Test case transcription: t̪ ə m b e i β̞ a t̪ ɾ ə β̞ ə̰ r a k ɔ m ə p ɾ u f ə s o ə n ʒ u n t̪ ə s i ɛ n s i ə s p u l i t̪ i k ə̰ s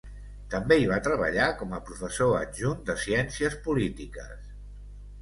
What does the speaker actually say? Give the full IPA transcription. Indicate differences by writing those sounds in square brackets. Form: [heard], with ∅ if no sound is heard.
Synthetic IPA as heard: t̪ ə m b e i β̞ a t̪ ɾ ə β̞ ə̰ [ʎ] a k ɔ m ə p ɾ u f ə s o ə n ʒ u n [d̪] ə s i ɛ n s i ə s p u l i t̪ i k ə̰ s